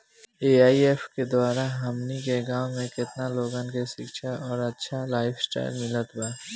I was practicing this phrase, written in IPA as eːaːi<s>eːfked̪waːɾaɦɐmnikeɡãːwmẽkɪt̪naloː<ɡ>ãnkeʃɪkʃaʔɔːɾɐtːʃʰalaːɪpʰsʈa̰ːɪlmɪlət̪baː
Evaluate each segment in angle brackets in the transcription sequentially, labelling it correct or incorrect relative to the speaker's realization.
incorrect, correct

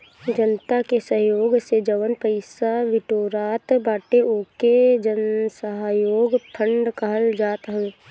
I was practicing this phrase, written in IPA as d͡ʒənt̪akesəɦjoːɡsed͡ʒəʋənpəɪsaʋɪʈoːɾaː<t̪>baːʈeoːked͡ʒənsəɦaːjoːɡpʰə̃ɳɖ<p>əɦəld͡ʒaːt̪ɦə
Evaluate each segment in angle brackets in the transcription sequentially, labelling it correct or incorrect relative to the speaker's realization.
correct, incorrect

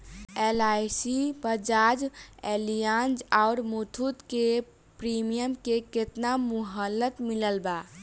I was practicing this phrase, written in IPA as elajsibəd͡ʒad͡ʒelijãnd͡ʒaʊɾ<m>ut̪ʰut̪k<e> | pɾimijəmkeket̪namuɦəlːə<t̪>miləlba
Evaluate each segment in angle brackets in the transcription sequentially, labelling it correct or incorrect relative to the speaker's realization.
correct, correct, correct

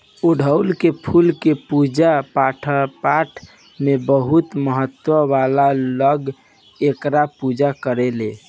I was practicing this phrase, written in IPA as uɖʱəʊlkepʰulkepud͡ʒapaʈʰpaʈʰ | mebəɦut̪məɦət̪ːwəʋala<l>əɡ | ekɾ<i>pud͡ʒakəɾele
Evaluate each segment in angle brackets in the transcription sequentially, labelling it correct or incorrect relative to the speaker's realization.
correct, incorrect

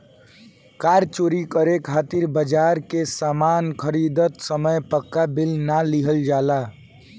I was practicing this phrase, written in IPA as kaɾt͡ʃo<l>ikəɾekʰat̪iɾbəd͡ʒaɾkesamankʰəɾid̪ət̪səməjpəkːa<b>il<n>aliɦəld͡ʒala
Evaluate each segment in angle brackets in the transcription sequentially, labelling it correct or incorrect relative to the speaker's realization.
incorrect, correct, correct

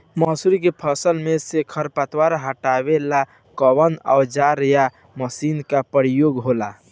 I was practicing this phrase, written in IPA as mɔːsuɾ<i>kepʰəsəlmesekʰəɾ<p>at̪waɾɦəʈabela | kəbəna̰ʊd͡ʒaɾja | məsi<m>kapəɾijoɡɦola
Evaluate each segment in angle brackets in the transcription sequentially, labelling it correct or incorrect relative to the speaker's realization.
correct, correct, incorrect

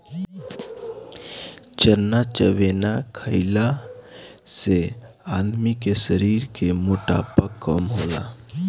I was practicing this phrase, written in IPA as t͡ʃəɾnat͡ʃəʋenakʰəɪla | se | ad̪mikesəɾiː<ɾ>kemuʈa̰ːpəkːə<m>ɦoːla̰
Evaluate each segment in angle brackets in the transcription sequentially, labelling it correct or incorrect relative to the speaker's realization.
correct, correct

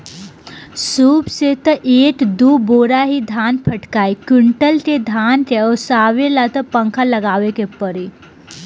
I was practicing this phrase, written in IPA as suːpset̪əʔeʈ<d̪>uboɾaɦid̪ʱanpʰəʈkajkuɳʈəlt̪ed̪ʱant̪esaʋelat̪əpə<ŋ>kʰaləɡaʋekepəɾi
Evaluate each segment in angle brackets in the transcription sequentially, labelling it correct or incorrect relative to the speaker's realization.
correct, correct

